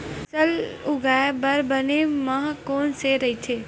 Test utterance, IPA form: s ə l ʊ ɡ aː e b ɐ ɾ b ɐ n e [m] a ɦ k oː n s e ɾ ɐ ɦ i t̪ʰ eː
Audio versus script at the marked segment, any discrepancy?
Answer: no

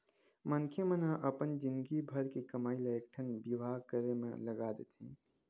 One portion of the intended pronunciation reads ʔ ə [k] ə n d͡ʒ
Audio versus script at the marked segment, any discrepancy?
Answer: yes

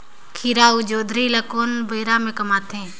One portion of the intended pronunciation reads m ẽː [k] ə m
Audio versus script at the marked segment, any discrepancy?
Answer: no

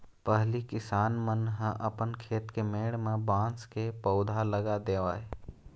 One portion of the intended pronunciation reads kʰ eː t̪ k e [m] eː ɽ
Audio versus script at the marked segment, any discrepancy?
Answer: no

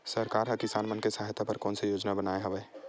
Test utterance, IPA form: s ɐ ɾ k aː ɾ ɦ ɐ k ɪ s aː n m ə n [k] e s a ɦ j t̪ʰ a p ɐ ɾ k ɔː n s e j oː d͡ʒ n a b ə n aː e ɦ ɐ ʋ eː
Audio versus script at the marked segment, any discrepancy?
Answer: no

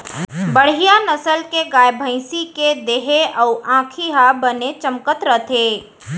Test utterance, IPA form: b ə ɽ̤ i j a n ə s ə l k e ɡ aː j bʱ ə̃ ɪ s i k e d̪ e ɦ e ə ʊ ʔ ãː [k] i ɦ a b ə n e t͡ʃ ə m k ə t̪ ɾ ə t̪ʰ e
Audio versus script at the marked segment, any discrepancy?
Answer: yes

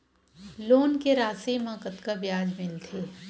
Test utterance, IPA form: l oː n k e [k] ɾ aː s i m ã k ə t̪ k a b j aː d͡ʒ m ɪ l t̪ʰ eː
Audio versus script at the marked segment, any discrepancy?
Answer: yes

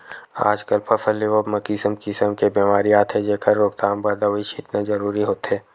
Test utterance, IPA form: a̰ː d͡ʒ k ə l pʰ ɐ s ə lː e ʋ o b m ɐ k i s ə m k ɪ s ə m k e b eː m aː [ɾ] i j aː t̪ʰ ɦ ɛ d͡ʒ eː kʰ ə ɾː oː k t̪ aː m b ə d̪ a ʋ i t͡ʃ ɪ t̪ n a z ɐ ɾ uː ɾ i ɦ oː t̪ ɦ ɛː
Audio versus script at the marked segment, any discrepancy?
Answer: no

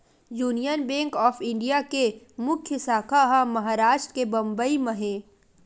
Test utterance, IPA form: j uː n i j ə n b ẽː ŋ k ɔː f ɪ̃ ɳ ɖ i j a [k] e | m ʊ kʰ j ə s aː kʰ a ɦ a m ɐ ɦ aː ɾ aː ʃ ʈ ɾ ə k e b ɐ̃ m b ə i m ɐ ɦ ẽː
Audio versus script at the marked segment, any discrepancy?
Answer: no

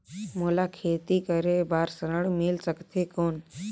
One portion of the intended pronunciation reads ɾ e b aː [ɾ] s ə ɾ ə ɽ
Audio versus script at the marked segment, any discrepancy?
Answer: no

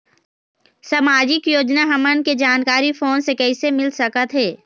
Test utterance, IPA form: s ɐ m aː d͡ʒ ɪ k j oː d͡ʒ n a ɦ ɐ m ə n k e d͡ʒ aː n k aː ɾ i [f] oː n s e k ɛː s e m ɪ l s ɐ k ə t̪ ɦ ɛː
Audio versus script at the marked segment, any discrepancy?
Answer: no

